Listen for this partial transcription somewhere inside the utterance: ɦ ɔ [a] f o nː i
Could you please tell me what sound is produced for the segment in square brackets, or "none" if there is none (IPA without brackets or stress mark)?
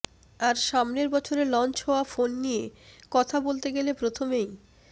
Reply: a